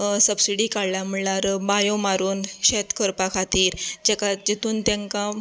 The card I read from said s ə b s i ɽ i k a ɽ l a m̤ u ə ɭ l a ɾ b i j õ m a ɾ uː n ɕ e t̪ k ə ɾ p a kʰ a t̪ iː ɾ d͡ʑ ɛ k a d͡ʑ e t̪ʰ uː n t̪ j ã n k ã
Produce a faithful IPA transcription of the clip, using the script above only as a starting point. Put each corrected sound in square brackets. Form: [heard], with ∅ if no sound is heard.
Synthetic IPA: s ə b s i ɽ i k a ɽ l a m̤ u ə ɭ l a ɾ b [a] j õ m a ɾ uː n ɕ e t̪ k ə ɾ p a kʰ a t̪ iː ɾ d͡ʑ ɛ k a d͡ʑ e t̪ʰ uː n t̪ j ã [ŋ] k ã